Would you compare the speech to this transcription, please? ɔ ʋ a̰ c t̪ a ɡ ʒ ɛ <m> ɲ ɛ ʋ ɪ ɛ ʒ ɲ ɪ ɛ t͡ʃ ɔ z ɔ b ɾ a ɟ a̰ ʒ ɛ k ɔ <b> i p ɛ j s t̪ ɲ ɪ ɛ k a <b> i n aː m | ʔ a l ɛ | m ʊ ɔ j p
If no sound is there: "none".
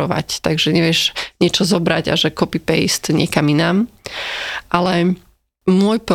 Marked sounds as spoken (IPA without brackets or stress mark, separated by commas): none, p, m